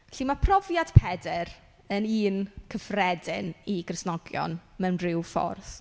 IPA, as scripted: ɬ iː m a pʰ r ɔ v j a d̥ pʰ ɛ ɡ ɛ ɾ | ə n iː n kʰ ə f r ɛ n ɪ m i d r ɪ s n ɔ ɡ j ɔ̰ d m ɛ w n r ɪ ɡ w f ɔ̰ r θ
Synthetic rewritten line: ɬ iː m a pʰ r ɔ v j a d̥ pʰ ɛ d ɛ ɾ | ə n iː n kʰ ə f r ɛ d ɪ n i ɡ r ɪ s n ɔ ɡ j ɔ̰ n m ɛ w n r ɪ w f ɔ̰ r θ